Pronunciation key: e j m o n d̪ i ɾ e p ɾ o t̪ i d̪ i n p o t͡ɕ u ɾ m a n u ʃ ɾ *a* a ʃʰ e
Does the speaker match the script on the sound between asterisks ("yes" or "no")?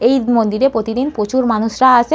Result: yes